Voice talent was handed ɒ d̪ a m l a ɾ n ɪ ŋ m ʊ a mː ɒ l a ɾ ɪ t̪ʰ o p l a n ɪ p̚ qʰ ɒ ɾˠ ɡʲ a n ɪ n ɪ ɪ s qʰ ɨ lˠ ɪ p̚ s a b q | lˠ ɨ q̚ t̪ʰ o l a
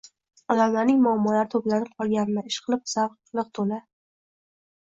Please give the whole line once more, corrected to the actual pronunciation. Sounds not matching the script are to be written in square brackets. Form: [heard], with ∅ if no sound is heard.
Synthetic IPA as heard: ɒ d̪ a m l a ɾ n ɪ ŋ m ʊ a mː ɒ l a ɾ ɪ t̪ʰ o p l a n ɪ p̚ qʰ ɒ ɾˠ ɡʲ a n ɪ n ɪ ɪ [ʃ] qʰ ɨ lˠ ɪ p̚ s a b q | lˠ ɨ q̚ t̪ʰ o l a